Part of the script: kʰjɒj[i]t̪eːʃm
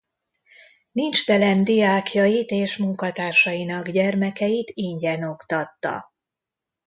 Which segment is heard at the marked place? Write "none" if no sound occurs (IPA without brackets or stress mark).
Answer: i